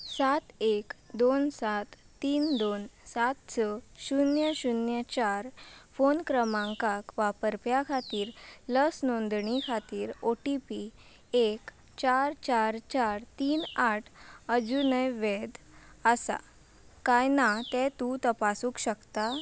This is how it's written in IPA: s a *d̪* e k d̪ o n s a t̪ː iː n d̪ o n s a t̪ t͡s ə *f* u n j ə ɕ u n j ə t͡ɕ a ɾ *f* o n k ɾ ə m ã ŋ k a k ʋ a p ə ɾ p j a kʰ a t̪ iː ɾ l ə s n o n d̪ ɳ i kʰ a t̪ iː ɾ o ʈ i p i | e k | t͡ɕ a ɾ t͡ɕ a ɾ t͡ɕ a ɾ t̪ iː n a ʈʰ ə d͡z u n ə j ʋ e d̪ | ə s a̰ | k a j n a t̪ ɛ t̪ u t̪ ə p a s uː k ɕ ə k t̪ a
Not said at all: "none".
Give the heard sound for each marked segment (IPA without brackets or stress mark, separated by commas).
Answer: t̪, ɕ, f